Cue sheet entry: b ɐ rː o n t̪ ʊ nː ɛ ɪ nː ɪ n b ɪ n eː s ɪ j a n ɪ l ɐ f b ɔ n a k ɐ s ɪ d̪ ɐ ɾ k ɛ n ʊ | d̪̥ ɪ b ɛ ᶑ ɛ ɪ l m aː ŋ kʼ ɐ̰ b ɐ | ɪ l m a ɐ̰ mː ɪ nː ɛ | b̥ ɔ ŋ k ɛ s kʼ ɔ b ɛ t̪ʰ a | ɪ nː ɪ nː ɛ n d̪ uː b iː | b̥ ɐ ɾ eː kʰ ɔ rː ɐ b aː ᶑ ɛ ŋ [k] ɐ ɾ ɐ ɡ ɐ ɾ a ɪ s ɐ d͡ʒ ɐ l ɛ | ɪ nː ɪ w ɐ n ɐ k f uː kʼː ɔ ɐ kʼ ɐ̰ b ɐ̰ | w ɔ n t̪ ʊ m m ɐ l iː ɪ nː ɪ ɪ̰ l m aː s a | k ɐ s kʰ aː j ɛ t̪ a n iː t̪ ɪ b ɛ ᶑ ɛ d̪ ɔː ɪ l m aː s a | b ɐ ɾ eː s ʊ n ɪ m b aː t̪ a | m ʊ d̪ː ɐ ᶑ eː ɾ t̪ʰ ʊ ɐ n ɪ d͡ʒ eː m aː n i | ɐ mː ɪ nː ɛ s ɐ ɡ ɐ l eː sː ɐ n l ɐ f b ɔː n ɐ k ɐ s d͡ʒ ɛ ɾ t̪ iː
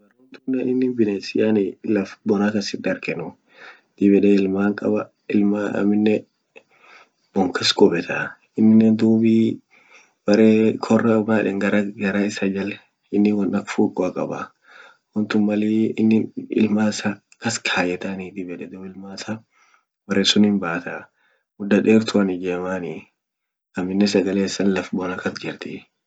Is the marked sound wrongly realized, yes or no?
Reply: yes